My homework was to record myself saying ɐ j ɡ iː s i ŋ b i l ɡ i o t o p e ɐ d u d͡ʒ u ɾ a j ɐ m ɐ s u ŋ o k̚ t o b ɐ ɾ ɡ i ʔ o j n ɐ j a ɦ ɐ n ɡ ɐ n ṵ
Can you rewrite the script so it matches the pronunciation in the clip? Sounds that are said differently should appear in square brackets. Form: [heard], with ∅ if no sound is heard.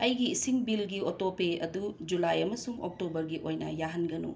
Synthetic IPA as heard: ɐ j ɡ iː s i ŋ b i l ɡ i o t o p e ɐ d u d͡ʒ u [l] a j ɐ m ɐ s u ŋ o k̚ t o b ɐ ɾ ɡ i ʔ o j n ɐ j a ɦ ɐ n ɡ ɐ n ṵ